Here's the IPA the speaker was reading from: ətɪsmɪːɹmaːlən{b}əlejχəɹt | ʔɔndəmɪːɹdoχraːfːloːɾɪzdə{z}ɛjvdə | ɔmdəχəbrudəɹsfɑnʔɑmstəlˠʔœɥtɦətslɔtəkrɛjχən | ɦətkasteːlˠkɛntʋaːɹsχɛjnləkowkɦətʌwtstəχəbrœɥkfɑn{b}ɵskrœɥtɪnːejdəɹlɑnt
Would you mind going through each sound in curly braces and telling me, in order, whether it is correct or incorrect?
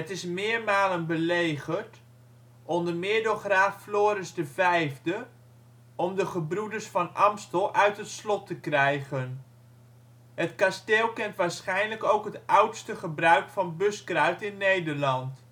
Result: correct, incorrect: v, correct

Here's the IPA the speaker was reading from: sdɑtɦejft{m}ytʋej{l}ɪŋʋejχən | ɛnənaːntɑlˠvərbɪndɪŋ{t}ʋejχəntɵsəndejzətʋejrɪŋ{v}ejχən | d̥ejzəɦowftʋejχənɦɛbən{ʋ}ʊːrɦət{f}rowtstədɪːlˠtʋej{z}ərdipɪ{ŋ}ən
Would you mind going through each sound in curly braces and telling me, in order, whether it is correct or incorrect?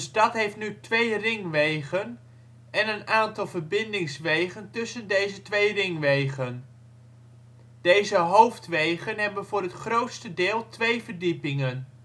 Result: incorrect: n, incorrect: r, incorrect: s, incorrect: ʋ, incorrect: v, incorrect: χ, incorrect: v, correct

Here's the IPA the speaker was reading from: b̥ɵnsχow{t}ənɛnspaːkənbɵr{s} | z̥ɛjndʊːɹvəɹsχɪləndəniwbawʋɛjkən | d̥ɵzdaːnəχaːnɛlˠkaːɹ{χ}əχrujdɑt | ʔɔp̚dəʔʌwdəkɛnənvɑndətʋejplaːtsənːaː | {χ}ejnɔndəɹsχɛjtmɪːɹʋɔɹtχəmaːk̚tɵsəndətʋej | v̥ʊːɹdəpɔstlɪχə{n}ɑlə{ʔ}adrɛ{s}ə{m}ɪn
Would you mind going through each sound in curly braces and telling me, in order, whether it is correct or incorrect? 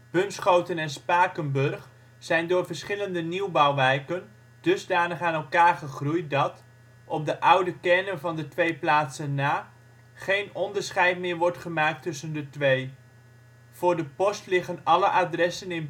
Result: correct, incorrect: χ, correct, correct, correct, correct, correct, incorrect: n

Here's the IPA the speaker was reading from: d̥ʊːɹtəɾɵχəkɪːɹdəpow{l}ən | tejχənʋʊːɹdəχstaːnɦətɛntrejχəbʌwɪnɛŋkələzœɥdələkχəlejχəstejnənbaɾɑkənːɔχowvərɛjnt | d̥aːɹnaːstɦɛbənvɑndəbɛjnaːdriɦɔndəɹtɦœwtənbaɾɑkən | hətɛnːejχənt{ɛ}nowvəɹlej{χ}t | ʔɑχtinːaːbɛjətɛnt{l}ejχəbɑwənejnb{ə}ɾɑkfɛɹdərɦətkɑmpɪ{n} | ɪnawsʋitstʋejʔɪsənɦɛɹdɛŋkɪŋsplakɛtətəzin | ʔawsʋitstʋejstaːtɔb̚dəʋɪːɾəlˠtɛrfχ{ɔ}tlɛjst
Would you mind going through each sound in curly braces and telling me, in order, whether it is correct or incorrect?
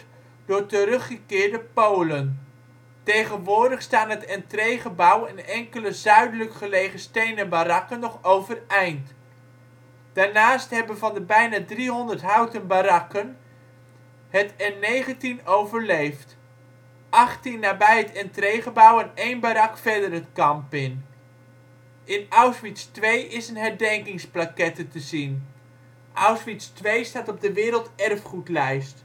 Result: correct, incorrect: i, incorrect: f, incorrect: r, incorrect: a, correct, incorrect: u

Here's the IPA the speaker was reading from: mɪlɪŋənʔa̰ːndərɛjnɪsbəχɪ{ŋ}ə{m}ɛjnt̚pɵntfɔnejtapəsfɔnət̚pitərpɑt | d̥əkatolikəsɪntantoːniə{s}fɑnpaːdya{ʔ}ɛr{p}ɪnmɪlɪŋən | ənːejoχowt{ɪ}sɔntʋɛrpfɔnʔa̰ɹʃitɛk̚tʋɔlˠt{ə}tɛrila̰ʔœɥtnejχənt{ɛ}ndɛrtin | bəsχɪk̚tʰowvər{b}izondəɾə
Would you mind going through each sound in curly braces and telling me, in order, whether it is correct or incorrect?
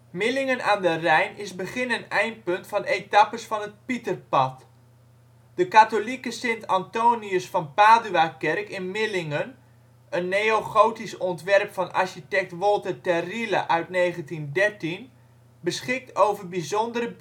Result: incorrect: n, incorrect: n, correct, incorrect: k, incorrect: k, incorrect: i, correct, incorrect: i, correct

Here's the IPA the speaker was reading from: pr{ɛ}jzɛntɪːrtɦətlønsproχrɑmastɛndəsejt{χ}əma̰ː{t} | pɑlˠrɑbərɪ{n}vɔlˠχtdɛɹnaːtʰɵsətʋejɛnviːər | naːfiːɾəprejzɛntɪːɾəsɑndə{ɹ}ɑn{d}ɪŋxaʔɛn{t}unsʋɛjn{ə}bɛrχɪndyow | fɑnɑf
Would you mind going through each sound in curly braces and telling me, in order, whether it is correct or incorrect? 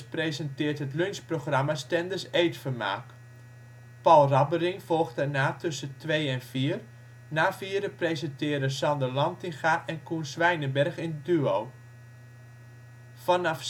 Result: incorrect: e, incorrect: f, incorrect: k, incorrect: ŋ, incorrect: l, incorrect: t, incorrect: k, correct

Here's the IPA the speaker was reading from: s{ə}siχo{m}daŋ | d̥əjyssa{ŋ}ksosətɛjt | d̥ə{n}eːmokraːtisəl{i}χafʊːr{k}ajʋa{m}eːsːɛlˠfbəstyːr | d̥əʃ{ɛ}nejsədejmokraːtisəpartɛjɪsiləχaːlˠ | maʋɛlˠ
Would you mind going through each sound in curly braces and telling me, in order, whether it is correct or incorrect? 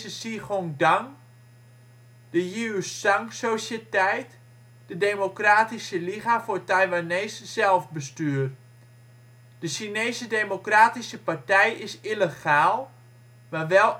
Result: correct, incorrect: ŋ, correct, incorrect: d, correct, incorrect: t, incorrect: n, incorrect: i

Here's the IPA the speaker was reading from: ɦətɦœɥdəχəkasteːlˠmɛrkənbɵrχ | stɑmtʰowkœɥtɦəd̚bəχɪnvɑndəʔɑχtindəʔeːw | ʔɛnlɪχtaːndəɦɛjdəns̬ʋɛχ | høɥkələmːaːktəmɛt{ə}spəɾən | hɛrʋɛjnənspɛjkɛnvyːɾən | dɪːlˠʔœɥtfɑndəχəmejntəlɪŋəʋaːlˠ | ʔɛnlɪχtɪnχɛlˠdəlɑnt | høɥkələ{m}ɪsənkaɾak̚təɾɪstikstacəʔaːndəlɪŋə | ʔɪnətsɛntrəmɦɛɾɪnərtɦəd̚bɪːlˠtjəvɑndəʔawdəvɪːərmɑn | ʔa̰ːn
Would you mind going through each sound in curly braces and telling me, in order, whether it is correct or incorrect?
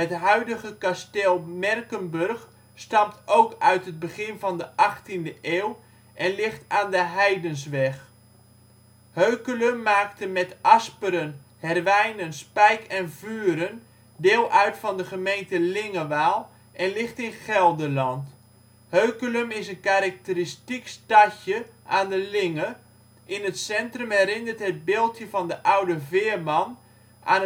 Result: incorrect: ɑ, correct

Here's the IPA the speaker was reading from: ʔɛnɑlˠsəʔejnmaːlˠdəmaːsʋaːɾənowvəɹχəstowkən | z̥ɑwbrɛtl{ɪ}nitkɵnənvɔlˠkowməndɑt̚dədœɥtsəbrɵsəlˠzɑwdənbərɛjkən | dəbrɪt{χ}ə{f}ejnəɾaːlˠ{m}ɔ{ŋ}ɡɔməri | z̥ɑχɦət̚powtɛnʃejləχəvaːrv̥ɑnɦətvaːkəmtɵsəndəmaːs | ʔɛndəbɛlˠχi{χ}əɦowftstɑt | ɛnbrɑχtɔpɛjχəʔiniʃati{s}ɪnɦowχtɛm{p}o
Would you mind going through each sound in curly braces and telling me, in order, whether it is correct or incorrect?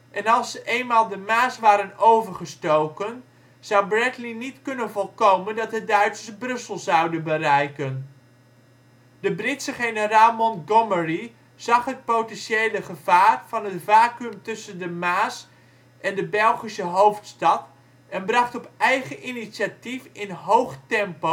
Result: incorrect: i, incorrect: s, incorrect: χ, correct, incorrect: n, incorrect: s, incorrect: f, correct

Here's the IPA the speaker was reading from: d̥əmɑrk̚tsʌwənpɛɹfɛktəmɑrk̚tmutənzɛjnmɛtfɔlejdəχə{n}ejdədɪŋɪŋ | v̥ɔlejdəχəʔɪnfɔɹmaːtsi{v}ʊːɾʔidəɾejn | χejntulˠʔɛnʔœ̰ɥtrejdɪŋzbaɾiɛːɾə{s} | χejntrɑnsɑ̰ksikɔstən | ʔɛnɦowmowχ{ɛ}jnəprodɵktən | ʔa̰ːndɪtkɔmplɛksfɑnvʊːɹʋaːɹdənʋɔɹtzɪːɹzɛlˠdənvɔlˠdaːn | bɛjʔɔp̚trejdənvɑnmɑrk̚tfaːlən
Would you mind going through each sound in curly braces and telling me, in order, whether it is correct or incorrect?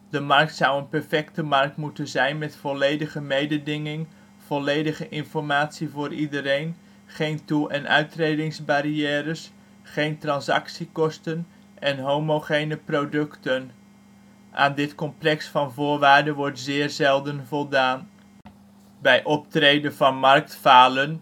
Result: incorrect: m, correct, correct, incorrect: e

